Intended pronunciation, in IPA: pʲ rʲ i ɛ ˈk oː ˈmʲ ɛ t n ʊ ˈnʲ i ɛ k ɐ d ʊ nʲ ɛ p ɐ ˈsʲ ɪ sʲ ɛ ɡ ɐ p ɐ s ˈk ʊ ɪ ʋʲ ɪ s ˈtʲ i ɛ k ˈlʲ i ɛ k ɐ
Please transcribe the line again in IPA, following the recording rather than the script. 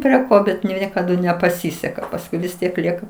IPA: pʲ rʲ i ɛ ˈk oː ˈbʲ ɛ t n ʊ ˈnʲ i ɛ k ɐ d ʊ nʲ ɛ p ɐ ˈsʲ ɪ sʲ ɛ k ɐ p ɐ s ˈk ʊ ɪ ʋʲ ɪ s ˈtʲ i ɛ k ˈlʲ i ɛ k ɐ